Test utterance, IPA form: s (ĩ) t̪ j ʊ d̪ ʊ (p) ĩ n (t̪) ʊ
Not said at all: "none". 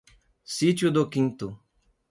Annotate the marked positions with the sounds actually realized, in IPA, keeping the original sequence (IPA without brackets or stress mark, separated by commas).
i, k, t̪